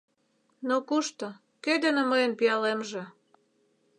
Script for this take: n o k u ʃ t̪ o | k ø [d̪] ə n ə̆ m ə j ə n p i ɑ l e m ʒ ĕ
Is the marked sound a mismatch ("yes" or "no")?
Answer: no